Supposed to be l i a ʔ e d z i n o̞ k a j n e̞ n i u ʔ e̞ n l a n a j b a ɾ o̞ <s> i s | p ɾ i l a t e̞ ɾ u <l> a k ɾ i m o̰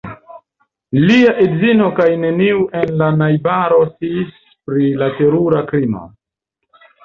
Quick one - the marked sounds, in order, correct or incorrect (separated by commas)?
correct, incorrect